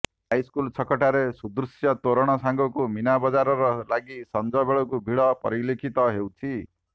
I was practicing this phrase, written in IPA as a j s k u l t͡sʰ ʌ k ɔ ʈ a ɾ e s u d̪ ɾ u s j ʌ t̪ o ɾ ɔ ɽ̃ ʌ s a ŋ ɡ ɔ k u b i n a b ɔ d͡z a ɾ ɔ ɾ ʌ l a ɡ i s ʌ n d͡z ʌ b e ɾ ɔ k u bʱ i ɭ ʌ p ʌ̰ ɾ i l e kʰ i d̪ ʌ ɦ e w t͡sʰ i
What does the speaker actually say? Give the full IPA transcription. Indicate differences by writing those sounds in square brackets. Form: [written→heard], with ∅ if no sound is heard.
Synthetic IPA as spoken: a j s k u l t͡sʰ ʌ k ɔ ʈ a ɾ e s u d̪ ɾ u s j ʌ t̪ o ɾ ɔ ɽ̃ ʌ s a ŋ ɡ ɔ k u [b→m] i n a b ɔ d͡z a ɾ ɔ ɾ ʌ l a ɡ i s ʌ n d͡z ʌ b e [ɾ→ɭ] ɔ k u bʱ i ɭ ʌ p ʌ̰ ɾ i l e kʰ i [d̪→t̪] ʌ ɦ e w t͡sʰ i